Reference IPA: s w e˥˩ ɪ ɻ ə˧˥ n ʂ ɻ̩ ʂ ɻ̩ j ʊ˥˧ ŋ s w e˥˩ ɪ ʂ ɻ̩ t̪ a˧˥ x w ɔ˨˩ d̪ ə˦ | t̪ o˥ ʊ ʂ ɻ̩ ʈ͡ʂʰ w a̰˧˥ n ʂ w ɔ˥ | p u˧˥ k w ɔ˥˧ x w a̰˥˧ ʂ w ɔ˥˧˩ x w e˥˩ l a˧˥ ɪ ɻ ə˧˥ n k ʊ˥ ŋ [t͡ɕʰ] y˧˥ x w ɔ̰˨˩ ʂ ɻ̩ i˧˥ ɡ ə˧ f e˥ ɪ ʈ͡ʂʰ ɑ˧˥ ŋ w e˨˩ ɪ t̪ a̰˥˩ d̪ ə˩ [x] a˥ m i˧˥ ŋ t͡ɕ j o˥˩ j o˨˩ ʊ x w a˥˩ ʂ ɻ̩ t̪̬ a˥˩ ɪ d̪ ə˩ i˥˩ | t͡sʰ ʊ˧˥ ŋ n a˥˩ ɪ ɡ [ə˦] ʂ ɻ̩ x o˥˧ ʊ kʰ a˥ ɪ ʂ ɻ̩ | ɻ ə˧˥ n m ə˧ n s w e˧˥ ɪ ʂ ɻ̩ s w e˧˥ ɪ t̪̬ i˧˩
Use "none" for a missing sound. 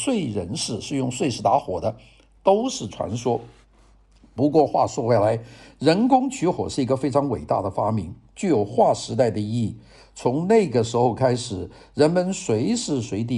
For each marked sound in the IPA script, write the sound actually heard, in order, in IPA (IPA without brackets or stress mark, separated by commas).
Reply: t͡ɕʰ, f, ə˩